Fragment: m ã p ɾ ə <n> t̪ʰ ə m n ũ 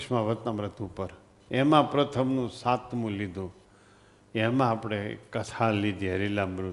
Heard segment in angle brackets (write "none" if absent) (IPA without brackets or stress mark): none